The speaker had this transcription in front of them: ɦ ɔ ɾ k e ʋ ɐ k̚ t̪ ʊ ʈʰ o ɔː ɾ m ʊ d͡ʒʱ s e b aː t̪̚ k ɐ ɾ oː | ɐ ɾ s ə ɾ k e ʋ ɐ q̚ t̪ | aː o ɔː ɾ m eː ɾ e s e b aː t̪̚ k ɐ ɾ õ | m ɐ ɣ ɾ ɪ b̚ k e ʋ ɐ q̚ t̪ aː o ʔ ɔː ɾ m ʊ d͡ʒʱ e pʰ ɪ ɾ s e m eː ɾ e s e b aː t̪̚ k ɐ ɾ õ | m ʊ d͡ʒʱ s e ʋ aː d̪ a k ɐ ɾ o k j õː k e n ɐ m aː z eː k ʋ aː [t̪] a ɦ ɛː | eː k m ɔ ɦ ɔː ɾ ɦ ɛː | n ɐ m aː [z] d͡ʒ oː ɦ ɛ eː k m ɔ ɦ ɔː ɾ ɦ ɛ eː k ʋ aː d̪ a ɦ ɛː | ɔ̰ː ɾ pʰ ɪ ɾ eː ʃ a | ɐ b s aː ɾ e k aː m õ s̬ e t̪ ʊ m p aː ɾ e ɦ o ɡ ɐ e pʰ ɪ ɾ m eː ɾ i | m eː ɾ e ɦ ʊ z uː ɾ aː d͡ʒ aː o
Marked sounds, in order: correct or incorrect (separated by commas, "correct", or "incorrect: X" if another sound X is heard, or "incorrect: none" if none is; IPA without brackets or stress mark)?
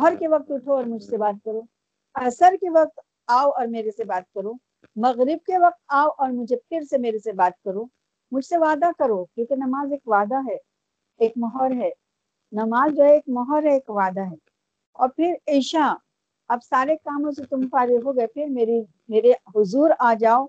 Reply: incorrect: d̪, correct